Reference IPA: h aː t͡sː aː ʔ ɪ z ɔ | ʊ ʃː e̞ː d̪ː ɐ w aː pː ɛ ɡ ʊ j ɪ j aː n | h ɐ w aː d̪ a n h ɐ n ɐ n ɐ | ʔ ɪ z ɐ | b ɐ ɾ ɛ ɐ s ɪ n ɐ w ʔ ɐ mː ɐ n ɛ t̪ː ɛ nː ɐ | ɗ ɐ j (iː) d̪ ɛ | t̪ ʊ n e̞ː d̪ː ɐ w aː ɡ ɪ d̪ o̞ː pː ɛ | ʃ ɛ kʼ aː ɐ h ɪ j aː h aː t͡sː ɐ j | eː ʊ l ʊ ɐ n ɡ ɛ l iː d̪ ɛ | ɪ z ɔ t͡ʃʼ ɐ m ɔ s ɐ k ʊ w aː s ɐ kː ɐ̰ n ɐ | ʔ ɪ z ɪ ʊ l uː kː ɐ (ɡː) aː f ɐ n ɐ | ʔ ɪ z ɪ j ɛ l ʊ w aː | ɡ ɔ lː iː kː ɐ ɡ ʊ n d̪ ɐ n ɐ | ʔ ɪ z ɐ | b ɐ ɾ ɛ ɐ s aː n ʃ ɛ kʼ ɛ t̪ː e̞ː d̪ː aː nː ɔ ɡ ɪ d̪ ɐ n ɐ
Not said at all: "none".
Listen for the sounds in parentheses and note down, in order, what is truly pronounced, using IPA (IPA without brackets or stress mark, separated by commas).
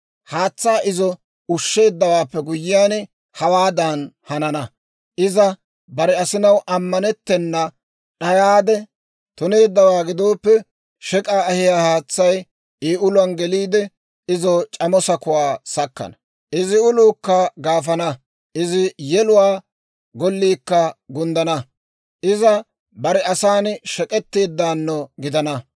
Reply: aː, ɡ